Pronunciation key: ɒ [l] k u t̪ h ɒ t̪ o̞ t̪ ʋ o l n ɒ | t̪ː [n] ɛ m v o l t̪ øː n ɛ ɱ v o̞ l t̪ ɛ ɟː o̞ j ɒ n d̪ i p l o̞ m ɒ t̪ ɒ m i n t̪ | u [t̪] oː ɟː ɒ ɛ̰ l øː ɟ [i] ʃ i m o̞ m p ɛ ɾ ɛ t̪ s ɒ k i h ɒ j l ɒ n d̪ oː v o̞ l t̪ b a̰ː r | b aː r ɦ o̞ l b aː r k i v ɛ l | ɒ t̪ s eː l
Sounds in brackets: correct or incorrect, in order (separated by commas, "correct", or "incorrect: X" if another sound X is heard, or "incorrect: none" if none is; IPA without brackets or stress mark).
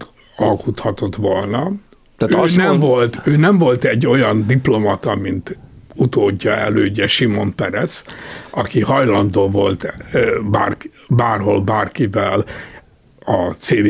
correct, correct, correct, incorrect: ɛ